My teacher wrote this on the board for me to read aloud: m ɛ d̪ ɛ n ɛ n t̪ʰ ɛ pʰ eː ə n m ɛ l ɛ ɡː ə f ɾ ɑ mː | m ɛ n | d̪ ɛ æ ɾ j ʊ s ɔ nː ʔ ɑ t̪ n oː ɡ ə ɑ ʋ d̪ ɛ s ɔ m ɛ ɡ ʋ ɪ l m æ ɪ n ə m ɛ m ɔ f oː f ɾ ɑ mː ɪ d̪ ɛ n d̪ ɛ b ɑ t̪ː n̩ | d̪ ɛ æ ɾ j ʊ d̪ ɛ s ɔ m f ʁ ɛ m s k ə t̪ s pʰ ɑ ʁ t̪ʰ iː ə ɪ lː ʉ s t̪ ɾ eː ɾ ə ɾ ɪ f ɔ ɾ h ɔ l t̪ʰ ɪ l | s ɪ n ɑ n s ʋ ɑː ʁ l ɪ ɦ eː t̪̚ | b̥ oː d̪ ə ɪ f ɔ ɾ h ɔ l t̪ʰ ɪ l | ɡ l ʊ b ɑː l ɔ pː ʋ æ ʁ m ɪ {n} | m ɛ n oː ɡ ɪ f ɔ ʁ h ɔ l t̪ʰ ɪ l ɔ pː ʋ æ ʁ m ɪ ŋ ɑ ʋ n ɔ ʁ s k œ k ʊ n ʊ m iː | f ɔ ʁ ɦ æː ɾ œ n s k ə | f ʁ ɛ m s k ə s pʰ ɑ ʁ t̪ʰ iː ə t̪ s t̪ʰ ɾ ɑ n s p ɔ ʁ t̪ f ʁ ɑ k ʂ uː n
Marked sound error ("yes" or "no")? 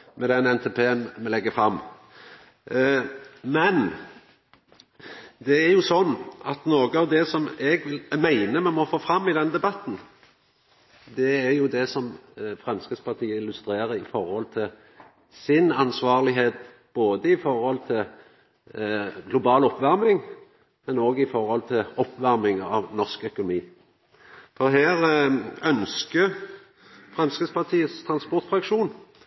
yes